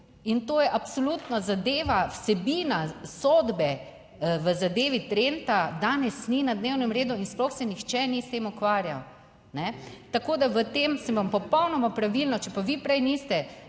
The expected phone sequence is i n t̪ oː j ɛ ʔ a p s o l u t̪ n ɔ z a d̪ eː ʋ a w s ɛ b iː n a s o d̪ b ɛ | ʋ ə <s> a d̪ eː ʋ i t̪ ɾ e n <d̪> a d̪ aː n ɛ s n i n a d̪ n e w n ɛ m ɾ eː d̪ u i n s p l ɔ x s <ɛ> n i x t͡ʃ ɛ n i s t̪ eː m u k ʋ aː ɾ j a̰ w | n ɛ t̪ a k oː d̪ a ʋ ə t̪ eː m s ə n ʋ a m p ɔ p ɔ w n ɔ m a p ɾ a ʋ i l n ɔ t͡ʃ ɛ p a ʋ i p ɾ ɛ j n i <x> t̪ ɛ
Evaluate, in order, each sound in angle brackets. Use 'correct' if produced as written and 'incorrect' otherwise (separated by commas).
incorrect, incorrect, correct, incorrect